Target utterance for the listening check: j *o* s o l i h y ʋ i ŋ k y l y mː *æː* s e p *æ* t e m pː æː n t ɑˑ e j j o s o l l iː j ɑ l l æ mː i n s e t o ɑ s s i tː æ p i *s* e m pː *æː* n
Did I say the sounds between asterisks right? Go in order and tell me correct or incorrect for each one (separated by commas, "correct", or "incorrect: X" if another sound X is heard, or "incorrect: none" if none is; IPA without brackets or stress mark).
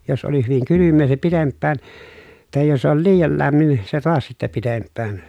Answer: correct, incorrect: eː, incorrect: i, incorrect: t, correct